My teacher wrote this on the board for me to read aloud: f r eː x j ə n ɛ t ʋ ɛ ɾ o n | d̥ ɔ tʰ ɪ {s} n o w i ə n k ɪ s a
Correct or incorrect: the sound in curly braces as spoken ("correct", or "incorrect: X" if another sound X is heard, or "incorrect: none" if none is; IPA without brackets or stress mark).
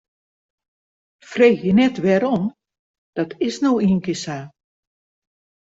correct